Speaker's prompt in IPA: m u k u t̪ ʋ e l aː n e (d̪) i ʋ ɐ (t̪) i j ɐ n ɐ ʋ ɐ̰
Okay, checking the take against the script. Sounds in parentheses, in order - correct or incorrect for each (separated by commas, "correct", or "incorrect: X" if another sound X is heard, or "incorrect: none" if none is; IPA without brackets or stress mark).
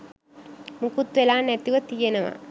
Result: incorrect: t̪, correct